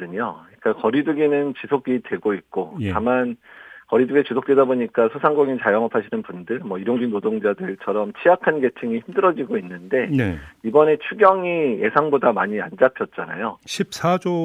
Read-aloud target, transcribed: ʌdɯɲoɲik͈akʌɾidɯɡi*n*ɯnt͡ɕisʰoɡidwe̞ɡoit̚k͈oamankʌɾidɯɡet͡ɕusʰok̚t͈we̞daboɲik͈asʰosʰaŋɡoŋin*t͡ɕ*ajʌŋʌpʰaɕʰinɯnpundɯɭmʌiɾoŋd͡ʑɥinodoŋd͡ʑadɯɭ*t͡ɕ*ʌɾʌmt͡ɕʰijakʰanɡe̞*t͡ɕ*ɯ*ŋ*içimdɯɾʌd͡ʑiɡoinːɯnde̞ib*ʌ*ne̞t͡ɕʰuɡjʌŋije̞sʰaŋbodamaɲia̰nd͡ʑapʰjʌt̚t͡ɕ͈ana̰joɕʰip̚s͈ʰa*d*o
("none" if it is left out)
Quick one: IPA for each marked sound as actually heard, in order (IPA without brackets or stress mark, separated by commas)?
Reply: n, t͡ɕ, t͡ɕʰ, t͡ɕʰ, ŋ, ʌ, d͡ʑ